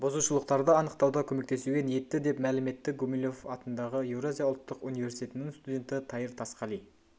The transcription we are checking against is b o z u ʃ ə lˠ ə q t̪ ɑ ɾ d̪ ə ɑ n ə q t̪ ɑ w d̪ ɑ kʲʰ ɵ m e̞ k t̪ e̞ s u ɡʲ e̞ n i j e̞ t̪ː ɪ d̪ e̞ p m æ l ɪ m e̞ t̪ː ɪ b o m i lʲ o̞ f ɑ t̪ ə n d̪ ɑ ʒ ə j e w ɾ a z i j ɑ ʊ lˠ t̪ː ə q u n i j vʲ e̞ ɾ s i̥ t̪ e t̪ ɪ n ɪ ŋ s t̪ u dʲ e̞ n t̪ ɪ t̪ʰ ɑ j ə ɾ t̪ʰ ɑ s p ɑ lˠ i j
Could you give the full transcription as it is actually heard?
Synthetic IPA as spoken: b o z u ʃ ə lˠ ə q t̪ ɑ ɾ d̪ ə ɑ n ə q t̪ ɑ w d̪ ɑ kʲʰ ɵ m e̞ k t̪ e̞ s u ɡʲ e̞ n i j e̞ t̪ː ɪ d̪ e̞ p m æ l ɪ m e̞ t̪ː ɪ ɡ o m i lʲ o̞ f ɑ t̪ ə n d̪ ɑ ʁ ə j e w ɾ a z i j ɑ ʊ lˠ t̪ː ə q u n i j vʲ e̞ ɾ s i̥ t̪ e t̪ ɪ n ɪ ŋ s t̪ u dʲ e̞ n t̪ ɪ t̪ʰ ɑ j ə ɾ t̪ʰ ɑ s q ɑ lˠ i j